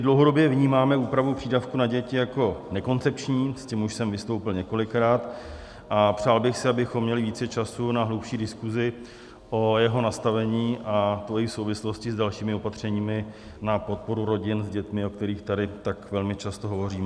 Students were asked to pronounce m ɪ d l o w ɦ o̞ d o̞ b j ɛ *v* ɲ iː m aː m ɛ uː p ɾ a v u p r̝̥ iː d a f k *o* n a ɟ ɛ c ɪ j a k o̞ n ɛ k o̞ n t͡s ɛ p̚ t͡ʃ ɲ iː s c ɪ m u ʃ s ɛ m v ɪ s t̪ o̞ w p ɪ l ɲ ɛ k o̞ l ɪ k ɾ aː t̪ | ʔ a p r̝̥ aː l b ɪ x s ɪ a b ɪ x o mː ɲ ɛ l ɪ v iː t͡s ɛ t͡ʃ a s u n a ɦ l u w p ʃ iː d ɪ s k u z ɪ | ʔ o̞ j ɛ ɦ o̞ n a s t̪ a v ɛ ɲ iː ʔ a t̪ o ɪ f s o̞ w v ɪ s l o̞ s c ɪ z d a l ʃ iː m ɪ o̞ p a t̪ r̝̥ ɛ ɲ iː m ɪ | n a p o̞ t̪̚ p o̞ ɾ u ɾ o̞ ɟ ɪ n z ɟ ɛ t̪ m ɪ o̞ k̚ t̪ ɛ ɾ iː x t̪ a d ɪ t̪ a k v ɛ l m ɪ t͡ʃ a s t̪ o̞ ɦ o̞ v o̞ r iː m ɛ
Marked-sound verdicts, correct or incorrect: correct, incorrect: u

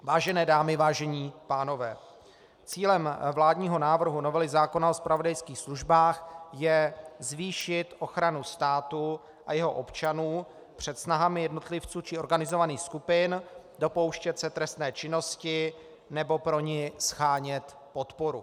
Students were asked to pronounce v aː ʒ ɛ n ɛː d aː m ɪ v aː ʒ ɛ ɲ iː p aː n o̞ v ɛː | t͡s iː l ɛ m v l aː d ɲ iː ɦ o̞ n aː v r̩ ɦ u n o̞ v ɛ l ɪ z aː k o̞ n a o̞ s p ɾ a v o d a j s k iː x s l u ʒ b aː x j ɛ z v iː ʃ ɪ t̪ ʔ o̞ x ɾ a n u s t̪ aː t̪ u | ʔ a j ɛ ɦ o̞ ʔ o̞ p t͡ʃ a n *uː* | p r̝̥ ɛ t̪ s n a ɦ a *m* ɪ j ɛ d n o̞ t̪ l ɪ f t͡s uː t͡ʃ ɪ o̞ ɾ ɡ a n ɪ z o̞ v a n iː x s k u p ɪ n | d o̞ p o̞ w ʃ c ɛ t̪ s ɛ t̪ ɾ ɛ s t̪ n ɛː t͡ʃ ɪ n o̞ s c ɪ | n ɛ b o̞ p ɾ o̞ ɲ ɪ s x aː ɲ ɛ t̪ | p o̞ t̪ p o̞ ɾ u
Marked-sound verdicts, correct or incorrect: correct, correct

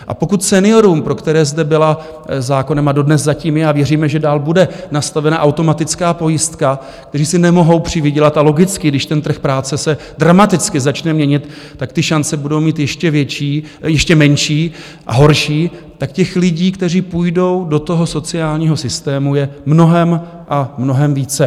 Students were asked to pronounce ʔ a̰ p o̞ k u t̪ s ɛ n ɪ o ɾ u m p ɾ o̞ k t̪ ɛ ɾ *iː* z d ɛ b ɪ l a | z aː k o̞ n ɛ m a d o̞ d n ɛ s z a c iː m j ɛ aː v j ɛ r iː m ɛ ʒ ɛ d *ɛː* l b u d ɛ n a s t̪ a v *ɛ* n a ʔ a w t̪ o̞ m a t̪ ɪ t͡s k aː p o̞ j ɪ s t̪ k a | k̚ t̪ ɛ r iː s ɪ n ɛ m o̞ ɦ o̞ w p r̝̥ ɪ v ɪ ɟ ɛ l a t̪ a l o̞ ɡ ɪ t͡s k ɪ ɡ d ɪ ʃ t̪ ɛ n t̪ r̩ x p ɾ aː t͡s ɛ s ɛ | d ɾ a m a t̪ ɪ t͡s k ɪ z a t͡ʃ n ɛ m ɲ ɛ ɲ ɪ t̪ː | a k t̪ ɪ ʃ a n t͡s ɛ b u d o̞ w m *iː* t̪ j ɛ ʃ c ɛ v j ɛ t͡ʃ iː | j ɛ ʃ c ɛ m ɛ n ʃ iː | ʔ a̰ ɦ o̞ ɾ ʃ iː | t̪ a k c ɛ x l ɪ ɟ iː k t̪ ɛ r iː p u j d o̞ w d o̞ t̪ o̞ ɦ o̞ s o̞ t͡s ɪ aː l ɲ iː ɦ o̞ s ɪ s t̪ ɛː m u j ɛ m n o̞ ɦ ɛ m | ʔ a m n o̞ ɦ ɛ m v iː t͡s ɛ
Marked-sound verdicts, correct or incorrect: incorrect: ɛː, incorrect: aː, correct, correct

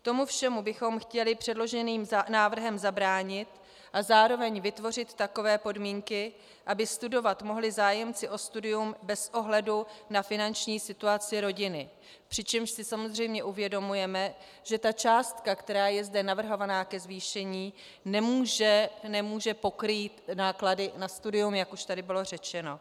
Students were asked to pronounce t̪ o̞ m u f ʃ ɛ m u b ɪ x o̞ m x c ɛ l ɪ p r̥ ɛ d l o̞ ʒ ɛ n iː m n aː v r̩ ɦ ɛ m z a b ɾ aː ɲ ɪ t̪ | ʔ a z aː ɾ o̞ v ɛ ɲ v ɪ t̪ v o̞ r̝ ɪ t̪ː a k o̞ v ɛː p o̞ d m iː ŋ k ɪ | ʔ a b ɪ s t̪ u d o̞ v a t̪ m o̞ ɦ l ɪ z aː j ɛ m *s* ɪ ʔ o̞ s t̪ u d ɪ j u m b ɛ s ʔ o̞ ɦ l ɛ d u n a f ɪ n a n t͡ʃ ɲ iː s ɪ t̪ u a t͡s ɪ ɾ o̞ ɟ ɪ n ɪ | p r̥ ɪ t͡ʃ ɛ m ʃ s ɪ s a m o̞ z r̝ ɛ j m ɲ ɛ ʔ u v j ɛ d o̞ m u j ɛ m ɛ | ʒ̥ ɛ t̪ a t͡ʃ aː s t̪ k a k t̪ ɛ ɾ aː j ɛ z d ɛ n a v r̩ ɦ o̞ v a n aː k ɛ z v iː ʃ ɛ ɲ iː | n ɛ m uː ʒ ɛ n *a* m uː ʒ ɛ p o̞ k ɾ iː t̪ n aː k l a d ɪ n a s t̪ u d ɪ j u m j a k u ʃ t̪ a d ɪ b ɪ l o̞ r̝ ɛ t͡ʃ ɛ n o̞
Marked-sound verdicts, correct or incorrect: incorrect: t͡s, incorrect: ɛ

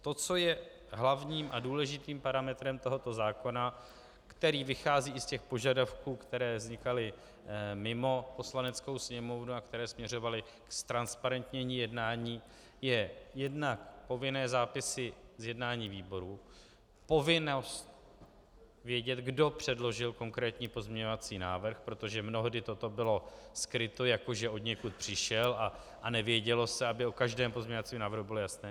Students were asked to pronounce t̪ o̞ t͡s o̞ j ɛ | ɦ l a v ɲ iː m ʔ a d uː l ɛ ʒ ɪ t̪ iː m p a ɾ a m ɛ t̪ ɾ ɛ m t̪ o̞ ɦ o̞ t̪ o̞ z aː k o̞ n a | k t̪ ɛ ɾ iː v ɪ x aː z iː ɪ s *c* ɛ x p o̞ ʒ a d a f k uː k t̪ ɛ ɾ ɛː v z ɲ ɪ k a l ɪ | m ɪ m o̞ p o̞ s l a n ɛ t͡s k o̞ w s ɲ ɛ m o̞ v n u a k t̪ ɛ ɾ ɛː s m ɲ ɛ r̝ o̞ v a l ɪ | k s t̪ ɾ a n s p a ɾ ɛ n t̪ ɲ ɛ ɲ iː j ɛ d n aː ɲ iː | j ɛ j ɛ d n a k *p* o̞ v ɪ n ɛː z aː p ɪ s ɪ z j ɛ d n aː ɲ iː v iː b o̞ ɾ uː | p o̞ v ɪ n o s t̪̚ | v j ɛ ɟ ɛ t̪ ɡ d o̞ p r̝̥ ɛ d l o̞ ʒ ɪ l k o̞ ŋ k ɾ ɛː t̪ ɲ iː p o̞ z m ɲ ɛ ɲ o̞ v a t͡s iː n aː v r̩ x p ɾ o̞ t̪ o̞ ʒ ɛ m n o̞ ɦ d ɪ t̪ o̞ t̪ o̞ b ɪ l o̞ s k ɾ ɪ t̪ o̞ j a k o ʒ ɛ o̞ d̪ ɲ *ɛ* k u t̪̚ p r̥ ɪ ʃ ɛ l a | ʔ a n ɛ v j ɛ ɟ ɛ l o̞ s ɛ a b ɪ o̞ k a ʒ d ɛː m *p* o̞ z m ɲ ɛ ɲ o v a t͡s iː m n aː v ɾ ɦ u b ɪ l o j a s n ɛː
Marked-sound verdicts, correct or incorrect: correct, correct, correct, correct

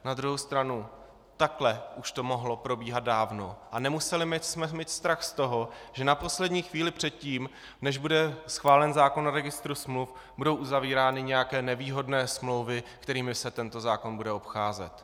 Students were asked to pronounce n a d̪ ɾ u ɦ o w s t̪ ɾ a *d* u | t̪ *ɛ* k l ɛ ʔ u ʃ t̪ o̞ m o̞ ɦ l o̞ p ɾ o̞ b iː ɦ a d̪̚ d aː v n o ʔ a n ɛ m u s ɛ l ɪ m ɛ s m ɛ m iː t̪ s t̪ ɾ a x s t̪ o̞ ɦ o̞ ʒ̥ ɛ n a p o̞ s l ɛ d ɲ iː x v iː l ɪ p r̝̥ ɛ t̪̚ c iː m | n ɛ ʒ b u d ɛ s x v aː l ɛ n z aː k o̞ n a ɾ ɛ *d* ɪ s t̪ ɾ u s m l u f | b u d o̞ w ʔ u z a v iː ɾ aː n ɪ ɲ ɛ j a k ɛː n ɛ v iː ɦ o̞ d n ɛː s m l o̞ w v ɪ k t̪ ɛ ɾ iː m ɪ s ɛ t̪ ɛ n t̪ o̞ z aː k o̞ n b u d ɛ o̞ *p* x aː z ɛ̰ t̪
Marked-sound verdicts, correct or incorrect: incorrect: n, incorrect: a, incorrect: ɡ, correct

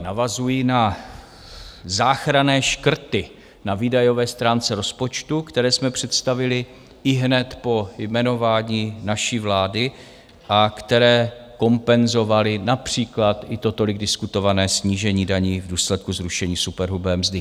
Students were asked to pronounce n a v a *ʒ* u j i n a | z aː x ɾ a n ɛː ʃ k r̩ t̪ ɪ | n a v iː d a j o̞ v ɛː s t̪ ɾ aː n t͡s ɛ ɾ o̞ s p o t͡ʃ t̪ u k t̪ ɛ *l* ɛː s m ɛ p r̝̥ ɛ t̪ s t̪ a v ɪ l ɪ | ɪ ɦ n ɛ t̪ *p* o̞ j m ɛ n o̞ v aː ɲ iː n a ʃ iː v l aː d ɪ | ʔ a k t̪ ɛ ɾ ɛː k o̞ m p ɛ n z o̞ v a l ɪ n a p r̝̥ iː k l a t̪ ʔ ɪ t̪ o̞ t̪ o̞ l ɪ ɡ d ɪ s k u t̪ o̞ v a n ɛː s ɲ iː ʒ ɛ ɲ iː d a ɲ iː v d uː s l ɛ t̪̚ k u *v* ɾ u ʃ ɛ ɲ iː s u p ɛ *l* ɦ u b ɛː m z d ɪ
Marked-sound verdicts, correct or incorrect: incorrect: z, incorrect: ɾ, correct, incorrect: z, incorrect: ɾ

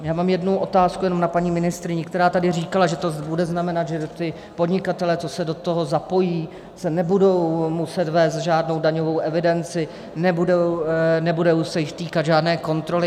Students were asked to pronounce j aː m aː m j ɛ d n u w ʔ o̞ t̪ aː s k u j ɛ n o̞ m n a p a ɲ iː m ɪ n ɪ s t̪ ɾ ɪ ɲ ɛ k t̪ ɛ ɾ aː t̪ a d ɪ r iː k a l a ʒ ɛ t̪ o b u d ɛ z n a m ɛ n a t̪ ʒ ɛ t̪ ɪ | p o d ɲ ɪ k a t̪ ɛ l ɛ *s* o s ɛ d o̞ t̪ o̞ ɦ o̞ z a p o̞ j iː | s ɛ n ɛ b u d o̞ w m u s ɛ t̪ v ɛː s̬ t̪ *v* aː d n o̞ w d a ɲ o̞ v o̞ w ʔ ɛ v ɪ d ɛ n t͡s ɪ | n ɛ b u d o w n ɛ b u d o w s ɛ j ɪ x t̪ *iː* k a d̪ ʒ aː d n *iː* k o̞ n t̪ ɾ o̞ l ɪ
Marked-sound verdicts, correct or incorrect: incorrect: t͡s, incorrect: ʒ, correct, incorrect: ɛː

